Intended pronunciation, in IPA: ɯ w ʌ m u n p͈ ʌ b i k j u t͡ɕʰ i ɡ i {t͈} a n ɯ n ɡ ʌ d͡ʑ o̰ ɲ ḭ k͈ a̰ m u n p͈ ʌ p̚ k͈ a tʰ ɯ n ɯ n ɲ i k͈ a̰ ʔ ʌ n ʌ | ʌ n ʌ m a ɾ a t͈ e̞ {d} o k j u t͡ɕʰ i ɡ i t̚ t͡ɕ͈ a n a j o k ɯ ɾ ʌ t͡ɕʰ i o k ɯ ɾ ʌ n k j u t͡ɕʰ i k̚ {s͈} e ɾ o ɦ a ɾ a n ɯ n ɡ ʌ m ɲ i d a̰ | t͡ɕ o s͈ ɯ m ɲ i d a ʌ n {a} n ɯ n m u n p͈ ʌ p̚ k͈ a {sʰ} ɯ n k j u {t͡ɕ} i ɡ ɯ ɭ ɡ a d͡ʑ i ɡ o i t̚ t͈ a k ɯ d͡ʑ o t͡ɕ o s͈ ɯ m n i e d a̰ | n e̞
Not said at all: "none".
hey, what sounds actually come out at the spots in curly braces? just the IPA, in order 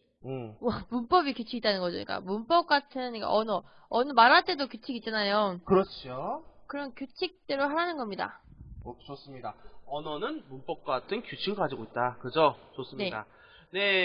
t͈, d, t͈, ʌ, tʰ, t͡ɕʰ

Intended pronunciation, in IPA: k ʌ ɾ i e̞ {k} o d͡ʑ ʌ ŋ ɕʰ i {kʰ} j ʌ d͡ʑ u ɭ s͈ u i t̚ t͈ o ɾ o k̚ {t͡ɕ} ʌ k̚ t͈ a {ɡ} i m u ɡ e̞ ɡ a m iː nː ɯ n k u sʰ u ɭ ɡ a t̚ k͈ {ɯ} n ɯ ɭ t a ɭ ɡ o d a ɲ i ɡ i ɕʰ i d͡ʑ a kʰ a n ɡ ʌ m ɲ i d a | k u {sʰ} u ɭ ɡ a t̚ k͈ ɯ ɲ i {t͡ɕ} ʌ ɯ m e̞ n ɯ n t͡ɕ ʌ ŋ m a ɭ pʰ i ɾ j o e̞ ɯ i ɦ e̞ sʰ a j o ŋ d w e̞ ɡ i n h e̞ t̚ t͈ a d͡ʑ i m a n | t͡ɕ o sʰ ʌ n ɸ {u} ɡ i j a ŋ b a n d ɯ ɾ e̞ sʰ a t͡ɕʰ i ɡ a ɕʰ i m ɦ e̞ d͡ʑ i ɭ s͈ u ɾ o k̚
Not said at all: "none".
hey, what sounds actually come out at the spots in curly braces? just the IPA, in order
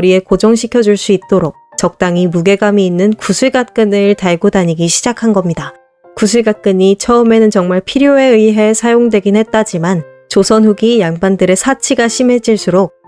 k, kʰ, t͡ɕ, ŋ, ɯ, sʰ, t͡ɕʰ, u

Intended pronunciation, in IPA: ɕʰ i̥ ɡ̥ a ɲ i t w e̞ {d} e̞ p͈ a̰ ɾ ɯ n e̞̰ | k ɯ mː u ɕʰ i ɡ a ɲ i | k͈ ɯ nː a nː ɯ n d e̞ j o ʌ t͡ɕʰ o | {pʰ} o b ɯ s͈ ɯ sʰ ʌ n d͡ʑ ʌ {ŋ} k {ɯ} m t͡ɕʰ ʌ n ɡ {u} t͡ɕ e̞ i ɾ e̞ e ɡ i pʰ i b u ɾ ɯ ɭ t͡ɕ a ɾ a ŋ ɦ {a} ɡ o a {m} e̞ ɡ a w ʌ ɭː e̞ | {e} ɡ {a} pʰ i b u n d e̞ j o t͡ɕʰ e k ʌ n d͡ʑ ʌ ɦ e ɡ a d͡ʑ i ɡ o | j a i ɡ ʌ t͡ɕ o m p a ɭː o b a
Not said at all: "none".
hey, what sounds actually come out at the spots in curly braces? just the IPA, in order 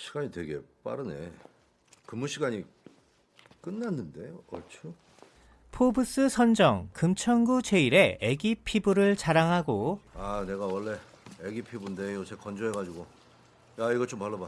ɡ, pʰ, ŋ, ɯ, u, a, n, e, i

